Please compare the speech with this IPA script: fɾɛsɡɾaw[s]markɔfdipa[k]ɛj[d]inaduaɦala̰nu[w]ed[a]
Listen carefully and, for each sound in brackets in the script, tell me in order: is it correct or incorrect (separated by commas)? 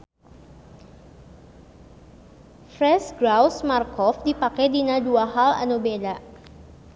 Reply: correct, correct, correct, incorrect, correct